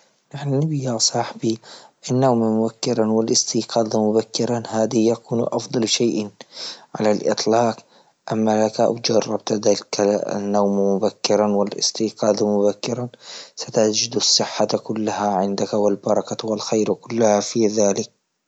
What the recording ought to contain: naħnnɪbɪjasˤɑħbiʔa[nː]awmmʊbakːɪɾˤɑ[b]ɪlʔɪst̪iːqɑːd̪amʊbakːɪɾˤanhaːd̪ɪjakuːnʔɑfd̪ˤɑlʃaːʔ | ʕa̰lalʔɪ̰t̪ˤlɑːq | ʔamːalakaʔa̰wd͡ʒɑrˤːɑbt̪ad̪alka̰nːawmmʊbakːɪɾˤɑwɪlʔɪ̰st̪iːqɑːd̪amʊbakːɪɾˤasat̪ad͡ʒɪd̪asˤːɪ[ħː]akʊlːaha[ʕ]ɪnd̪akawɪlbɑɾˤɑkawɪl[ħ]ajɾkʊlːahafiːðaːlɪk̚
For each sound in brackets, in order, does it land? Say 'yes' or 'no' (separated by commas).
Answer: yes, no, yes, yes, no